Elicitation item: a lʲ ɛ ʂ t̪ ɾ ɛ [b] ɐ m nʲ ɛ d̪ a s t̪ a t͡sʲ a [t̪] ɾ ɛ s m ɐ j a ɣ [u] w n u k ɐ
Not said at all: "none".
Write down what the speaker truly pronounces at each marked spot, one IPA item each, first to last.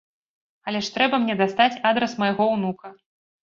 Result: b, d̪, ɔ

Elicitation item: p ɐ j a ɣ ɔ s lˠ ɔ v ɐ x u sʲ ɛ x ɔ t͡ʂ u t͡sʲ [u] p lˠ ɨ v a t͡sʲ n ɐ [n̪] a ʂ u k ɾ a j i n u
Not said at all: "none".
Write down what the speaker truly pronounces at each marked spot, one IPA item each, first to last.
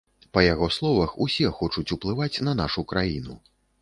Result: u, n̪

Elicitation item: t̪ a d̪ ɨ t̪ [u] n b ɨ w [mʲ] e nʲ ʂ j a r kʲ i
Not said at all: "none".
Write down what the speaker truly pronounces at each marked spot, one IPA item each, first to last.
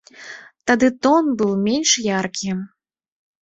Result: ɔ, mʲ

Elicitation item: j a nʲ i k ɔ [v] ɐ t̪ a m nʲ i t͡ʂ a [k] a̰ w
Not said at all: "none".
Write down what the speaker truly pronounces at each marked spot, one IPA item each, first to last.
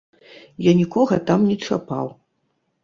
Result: ɣ, p

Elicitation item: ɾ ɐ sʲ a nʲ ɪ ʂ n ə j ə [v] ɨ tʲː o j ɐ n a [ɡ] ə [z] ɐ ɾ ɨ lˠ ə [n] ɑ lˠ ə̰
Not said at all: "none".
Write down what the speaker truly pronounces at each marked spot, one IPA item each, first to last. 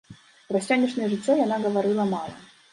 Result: ʐ, ɡ, v, m

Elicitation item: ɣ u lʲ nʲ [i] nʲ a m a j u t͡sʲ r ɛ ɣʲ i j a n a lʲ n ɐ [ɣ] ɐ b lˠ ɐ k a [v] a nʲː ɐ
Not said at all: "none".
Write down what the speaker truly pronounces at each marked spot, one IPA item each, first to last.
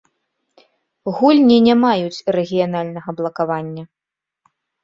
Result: i, ɣ, v

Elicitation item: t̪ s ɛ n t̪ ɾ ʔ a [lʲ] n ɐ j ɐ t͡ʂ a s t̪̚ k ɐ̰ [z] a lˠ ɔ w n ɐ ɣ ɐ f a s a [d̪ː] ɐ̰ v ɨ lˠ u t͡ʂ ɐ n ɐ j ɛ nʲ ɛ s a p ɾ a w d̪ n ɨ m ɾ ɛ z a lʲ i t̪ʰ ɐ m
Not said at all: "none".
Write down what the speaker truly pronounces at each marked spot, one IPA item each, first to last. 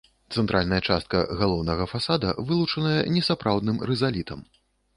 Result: lʲ, ɣ, d̪

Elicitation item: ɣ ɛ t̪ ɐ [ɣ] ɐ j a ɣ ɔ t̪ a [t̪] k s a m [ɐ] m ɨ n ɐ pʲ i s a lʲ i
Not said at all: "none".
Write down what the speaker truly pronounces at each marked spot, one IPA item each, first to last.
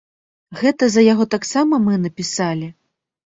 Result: z, none, ɐ

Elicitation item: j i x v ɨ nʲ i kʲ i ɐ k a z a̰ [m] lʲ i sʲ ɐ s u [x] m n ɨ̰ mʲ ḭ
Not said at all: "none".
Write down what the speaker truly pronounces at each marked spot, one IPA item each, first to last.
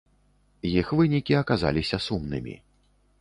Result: none, none

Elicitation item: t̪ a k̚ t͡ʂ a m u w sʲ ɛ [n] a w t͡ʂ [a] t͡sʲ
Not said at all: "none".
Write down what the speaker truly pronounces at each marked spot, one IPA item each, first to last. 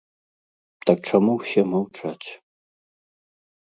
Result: m, a

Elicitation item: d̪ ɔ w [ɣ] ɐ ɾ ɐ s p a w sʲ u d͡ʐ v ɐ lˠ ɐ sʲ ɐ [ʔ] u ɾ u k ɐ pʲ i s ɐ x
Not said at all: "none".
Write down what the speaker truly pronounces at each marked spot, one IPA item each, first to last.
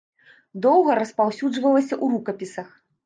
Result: ɣ, ʔ

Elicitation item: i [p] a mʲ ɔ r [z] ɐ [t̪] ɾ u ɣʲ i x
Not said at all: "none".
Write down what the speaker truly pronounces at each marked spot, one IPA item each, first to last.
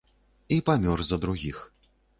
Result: p, z, d̪

